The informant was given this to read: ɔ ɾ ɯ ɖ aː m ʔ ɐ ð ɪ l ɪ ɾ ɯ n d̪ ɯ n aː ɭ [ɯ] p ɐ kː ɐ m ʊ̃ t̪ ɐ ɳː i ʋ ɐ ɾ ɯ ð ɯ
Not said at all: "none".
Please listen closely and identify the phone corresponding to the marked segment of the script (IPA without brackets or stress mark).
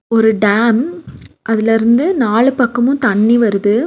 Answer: ɯ